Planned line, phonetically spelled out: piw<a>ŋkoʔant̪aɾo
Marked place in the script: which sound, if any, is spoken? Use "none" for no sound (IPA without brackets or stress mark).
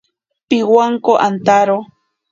a